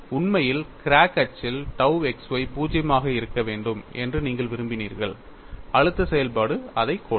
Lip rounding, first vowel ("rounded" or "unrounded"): rounded